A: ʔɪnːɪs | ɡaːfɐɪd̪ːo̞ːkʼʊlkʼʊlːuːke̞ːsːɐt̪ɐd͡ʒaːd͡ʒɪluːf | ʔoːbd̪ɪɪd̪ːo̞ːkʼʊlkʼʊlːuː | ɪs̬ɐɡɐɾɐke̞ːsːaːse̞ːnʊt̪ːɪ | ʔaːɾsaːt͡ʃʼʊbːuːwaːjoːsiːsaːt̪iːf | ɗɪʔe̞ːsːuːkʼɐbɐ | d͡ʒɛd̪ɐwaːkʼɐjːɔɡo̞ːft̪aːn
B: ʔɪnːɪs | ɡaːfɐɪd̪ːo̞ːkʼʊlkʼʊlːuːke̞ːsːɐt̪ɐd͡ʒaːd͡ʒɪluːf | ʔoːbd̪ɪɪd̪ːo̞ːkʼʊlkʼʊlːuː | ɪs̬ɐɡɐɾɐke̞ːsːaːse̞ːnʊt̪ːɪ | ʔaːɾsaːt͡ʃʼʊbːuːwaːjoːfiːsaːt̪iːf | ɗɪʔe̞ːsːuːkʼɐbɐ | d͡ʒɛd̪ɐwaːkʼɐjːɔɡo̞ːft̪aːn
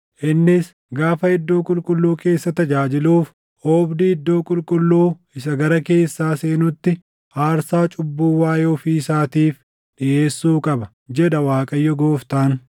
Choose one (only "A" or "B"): B